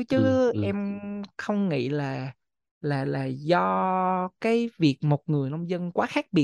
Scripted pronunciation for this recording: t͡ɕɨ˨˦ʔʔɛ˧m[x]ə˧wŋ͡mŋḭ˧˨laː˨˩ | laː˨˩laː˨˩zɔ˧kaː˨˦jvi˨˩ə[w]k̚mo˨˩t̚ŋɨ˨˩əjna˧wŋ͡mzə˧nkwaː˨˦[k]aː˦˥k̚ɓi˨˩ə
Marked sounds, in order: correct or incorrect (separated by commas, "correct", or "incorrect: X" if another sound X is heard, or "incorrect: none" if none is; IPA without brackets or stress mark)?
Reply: correct, incorrect: none, incorrect: x